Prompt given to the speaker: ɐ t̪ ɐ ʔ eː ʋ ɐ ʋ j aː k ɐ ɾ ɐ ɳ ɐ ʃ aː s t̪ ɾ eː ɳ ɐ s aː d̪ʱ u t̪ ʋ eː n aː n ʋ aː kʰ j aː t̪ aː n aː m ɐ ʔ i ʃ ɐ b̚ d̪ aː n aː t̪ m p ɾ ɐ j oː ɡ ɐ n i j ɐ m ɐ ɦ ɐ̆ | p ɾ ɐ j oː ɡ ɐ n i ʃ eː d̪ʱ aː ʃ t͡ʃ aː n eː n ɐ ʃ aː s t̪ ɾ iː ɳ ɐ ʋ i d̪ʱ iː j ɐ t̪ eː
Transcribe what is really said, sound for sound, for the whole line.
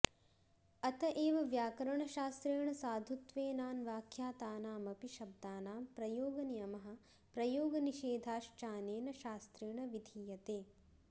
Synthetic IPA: ɐ t̪ ɐ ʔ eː ʋ ɐ ʋ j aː k ɐ ɾ ɐ ɳ ɐ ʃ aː s t̪ ɾ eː ɳ ɐ s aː d̪ʱ u t̪ ʋ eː n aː n ʋ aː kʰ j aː t̪ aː n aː m ɐ p i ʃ ɐ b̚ d̪ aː n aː m p ɾ ɐ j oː ɡ ɐ n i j ɐ m ɐ ɦ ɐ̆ | p ɾ ɐ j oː ɡ ɐ n i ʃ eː d̪ʱ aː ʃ t͡ʃ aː n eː n ɐ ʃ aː s t̪ ɾ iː ɳ ɐ ʋ i d̪ʱ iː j ɐ t̪ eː